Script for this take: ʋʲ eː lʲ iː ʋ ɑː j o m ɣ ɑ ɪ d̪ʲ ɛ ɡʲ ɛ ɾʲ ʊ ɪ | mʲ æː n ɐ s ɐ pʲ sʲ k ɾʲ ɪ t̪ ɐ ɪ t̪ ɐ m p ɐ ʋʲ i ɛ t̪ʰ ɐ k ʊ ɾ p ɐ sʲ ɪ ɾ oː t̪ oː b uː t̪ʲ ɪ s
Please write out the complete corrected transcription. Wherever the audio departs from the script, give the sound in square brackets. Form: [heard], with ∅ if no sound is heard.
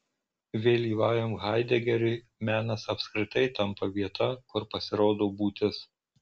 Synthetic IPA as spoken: ʋʲ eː lʲ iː ʋ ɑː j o m ɣ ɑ ɪ d̪ʲ ɛ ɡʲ ɛ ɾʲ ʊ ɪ | mʲ æː n ɐ s ɐ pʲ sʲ k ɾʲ ɪ t̪ ɐ ɪ t̪ ɐ m p ɐ ʋʲ i ɛ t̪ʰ ɐ k ʊ ɾ p ɐ sʲ ɪ ɾ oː [d̪] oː b uː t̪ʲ ɪ s